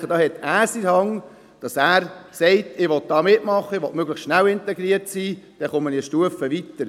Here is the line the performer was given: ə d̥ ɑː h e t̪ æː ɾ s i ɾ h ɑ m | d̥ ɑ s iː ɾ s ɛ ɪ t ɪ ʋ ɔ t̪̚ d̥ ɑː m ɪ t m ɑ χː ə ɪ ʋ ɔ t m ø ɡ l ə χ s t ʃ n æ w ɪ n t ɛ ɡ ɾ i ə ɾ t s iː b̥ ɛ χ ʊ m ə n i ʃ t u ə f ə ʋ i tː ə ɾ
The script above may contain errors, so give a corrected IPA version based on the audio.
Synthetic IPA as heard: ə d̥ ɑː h ɛ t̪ æː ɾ s i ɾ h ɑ ŋ | d̥ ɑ s æː ɾ s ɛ ɪ t ɪ ʋ ɔ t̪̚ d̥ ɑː m ɪ t m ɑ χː ə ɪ ʋ ɔ t m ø ɡ l ə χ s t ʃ n æ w ɪ n t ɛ ɡ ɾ i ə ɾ t s iː d̥ ɛ χ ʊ m ə n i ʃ t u ə f ə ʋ i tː ə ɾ